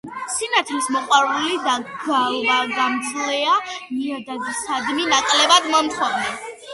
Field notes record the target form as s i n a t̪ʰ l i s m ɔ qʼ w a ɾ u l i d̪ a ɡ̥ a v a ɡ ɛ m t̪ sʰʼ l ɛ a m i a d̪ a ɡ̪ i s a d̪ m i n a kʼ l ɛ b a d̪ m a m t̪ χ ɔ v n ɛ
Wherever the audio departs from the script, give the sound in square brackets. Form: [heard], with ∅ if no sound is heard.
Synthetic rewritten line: s i n a t̪ʰ l i s m ɔ qʼ w a ɾ u l i d̪ a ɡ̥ a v a ɡ [a] m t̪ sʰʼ l ɛ a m i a d̪ a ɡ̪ i s a d̪ m i n a kʼ l ɛ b a d̪ m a m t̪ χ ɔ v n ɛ